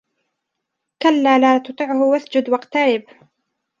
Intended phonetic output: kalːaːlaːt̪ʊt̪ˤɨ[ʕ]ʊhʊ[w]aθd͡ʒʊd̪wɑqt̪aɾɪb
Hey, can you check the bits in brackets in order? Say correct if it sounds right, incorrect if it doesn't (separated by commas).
correct, correct